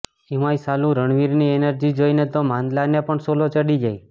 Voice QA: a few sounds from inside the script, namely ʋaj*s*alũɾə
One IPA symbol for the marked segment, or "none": s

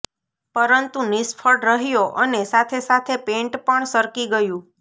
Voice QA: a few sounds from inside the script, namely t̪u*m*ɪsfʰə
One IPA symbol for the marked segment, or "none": n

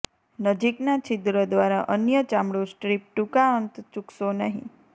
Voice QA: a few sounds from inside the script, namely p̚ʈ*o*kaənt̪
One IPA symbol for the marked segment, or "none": u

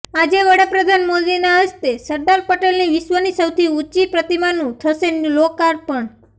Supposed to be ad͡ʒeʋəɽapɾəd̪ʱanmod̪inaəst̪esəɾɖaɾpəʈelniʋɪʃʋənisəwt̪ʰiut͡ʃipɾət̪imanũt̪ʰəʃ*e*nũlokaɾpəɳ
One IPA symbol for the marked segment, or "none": e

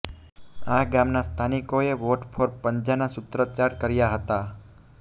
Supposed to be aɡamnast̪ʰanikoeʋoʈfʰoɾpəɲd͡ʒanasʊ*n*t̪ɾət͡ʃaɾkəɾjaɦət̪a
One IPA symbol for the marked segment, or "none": none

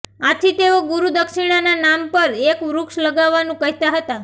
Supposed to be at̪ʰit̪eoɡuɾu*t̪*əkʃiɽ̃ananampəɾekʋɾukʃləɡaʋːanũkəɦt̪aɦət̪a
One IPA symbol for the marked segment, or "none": d̪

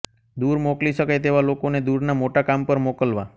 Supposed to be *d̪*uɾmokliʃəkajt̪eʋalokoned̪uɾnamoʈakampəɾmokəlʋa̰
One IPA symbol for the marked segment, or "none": d̪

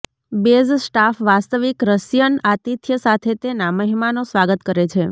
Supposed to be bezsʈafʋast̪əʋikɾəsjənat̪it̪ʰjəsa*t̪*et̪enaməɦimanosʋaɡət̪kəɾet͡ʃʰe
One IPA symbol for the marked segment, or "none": t̪ʰ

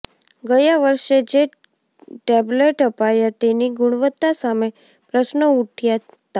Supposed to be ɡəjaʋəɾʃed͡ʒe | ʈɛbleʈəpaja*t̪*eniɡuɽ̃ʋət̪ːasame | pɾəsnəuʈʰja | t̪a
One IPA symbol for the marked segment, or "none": t̪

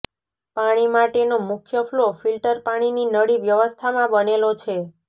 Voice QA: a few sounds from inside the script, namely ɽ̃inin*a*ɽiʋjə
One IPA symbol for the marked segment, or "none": ə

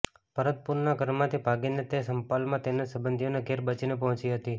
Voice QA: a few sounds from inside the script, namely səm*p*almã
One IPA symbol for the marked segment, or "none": p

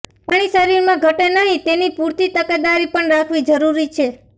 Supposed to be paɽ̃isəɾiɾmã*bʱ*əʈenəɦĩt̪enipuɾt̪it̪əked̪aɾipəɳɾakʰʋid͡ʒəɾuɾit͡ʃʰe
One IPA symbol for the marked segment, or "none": ɡʱ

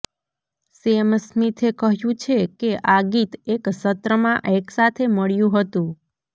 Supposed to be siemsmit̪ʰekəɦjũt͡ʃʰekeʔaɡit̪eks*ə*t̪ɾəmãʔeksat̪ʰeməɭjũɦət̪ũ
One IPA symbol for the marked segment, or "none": ə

